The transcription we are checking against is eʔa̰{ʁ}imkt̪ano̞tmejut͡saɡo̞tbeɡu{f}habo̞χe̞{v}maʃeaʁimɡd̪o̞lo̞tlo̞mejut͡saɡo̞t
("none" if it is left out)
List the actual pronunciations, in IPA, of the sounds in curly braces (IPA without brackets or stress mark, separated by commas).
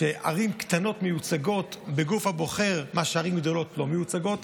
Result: ʁ, f, ʁ